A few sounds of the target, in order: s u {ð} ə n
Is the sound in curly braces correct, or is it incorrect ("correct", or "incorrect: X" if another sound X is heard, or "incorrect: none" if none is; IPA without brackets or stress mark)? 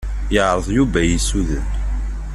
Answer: correct